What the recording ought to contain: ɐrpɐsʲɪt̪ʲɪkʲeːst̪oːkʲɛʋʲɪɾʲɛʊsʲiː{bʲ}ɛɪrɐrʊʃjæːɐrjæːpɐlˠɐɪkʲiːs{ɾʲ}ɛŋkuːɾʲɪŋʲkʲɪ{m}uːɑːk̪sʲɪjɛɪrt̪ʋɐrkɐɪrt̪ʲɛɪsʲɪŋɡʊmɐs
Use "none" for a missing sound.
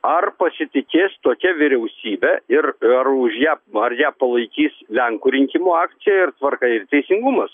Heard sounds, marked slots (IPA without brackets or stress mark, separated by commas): bʲ, lʲ, m